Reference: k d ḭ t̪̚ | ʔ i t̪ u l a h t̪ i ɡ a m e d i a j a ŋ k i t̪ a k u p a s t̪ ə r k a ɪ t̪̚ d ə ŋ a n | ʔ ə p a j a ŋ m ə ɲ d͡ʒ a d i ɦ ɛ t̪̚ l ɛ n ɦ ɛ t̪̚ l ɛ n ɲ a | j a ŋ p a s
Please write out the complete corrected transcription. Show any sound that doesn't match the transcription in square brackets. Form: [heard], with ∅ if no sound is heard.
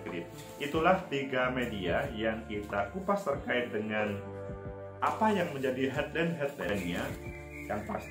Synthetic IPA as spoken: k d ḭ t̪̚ | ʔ i t̪ u l a h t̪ i ɡ a m e d i a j a ŋ k i t̪ a k u p a s t̪ ə r k a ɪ t̪̚ d ə ŋ a n | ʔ [a] p a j a ŋ m ə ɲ d͡ʒ a d i ɦ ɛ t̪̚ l ɛ n ɦ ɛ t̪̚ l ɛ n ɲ a | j a ŋ p a s